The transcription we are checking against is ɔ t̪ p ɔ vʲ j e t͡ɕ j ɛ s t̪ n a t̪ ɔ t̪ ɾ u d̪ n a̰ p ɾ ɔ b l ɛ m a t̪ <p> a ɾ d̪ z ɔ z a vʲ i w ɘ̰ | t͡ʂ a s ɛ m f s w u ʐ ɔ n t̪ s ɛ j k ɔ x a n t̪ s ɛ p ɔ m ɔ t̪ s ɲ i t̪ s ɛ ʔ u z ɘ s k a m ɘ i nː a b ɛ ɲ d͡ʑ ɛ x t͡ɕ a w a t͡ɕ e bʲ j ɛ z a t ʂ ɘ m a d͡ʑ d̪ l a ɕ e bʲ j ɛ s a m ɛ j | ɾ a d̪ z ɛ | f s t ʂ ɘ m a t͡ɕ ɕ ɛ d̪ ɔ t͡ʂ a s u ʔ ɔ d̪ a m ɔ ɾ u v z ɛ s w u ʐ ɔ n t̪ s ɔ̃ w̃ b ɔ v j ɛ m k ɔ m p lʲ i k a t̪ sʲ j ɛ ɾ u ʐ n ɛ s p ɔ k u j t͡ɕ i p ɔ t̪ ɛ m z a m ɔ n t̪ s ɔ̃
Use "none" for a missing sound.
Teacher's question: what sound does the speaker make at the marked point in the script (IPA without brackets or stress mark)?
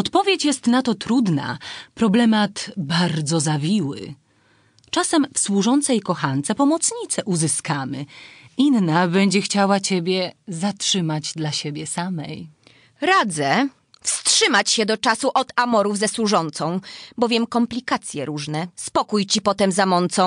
b